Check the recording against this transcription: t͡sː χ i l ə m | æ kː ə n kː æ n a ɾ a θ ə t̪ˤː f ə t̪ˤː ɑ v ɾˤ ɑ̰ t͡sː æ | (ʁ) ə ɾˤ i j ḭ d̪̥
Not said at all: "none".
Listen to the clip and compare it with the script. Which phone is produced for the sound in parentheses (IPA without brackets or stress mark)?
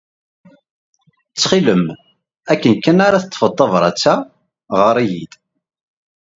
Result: ʁ